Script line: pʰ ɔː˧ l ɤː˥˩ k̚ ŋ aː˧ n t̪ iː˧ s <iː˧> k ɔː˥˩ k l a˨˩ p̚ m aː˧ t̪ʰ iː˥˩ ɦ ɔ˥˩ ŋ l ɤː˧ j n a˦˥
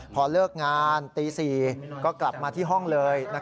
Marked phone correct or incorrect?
incorrect